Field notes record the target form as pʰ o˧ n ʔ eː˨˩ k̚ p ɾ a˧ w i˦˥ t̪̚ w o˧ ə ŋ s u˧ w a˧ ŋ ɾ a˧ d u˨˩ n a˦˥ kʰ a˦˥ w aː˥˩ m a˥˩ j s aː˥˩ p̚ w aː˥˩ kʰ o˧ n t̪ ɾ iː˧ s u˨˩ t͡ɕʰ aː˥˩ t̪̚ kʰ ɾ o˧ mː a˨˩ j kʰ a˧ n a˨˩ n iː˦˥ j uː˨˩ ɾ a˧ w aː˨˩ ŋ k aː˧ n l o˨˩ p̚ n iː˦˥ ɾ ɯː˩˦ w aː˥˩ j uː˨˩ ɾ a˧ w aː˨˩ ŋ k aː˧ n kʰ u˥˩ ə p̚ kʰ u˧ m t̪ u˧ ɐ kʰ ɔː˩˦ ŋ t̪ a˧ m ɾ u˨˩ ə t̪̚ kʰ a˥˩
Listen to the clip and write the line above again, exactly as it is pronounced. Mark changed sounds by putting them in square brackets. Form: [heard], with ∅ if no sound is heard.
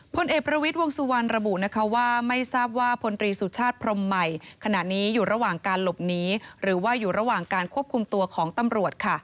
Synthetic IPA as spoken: pʰ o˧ n ʔ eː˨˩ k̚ p ɾ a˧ w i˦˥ t̪̚ w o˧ ə ŋ s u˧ w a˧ [n] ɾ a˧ [b] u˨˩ n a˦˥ kʰ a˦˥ w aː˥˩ m a˥˩ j s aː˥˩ p̚ w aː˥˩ [pʰ] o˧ n t̪ ɾ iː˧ s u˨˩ t͡ɕʰ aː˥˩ t̪̚ [pʰ] ɾ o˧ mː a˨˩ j kʰ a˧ n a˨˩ n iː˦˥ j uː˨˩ ɾ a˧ w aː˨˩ ŋ k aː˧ n l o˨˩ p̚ n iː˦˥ ɾ ɯː˩˦ w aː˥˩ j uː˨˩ ɾ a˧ w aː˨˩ ŋ k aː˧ n kʰ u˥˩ ə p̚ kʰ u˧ m t̪ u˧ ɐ kʰ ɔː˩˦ ŋ t̪ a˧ m ɾ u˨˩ ə t̪̚ kʰ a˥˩